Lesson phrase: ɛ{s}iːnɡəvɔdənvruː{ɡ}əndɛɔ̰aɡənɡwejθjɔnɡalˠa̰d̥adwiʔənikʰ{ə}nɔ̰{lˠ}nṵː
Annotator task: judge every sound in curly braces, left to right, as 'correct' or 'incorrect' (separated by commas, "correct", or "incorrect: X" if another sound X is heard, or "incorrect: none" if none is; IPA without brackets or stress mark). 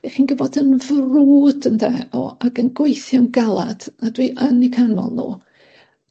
incorrect: χ, incorrect: d, incorrect: a, correct